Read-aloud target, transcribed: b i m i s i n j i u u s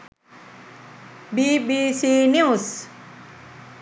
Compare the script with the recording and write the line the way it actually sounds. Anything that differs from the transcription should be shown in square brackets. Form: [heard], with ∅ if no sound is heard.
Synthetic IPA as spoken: b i [b] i s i n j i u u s